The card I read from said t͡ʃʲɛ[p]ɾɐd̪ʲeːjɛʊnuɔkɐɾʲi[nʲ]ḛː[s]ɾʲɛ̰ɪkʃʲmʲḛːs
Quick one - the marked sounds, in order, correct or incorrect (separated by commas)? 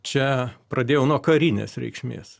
correct, correct, correct